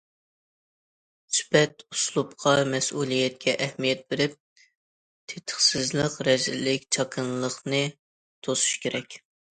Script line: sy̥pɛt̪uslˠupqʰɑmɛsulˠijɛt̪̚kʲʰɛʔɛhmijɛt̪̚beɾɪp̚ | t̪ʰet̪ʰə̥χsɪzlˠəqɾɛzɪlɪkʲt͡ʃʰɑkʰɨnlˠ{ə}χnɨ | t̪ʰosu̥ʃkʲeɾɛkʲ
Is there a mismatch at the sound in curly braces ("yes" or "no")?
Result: no